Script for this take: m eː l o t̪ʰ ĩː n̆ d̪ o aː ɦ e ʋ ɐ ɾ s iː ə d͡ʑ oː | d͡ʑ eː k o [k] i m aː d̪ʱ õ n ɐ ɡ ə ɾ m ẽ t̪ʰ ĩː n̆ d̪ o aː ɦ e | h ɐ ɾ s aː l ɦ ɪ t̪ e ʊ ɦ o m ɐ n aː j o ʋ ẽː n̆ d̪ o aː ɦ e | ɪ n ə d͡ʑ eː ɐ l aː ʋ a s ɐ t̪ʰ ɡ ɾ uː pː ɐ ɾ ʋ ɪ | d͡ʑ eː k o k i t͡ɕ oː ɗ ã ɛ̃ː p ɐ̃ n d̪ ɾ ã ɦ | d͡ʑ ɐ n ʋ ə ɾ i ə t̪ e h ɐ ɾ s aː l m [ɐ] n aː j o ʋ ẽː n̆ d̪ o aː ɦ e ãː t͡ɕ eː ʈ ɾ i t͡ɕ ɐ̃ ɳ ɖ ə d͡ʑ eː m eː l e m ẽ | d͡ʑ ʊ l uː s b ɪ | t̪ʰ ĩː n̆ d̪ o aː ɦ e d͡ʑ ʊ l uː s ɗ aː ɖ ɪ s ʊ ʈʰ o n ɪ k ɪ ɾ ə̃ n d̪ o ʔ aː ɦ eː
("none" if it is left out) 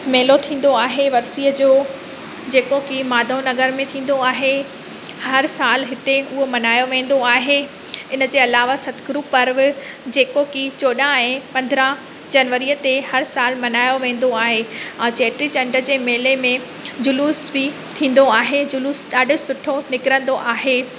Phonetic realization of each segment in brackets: k, ɐ

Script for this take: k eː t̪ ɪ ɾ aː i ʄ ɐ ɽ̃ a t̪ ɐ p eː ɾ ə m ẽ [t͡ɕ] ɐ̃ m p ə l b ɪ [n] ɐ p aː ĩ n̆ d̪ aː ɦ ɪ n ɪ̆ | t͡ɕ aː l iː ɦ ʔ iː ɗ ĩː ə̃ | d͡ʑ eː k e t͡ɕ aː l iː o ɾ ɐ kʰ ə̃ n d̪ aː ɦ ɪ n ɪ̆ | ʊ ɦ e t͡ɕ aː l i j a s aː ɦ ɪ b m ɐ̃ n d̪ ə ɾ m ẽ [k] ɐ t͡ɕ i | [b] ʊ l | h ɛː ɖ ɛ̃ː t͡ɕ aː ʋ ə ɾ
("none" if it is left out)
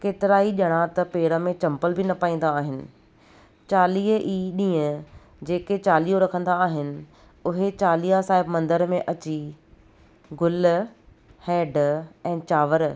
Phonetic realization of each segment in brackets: t͡ɕ, n, ʔ, ɡ

